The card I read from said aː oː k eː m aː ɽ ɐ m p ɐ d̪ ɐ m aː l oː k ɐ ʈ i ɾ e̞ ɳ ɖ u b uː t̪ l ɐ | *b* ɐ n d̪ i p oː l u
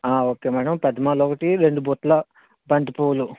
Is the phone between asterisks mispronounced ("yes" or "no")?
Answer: no